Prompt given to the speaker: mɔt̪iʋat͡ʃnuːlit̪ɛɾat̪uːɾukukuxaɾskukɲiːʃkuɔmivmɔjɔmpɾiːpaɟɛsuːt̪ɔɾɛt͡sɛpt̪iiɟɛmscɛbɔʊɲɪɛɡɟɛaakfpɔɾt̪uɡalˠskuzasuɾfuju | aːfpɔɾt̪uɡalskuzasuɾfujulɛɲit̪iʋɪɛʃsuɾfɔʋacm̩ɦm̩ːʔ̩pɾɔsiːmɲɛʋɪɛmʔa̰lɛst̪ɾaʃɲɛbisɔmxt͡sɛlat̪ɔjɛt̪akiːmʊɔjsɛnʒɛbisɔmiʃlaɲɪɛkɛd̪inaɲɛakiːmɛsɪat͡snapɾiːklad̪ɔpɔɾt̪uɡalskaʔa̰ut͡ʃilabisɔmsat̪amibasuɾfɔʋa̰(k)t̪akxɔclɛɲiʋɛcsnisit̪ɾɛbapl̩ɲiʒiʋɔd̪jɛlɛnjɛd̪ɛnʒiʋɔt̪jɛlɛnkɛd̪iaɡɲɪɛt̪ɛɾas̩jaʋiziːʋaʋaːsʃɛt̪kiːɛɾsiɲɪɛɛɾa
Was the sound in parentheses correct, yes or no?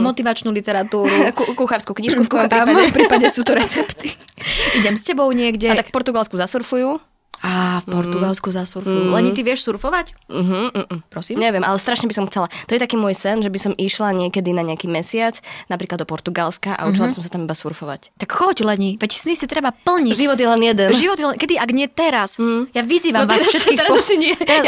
no